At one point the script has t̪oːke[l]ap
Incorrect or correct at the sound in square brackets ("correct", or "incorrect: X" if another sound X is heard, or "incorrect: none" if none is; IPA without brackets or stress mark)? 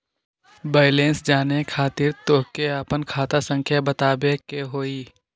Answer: incorrect: none